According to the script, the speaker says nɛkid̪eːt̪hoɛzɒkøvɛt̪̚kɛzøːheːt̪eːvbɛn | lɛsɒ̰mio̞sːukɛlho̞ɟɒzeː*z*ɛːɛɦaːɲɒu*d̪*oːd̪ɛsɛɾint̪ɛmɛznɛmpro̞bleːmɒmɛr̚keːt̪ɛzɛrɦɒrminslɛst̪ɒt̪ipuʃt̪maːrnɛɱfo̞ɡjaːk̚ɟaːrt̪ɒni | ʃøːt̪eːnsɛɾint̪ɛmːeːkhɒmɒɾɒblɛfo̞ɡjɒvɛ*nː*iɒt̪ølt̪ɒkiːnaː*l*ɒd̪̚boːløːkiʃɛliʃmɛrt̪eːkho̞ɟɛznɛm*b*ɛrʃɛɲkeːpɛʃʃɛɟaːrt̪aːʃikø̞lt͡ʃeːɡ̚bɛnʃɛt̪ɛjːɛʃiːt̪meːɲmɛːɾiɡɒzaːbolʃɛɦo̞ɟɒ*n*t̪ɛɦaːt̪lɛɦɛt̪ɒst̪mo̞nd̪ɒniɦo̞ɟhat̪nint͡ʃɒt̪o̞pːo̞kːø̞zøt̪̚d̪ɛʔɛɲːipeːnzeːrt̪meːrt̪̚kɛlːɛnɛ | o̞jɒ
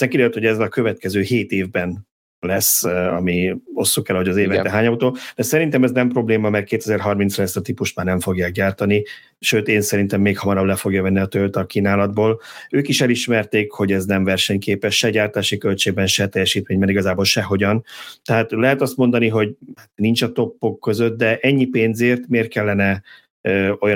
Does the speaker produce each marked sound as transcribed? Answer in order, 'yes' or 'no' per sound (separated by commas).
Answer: no, no, yes, yes, no, yes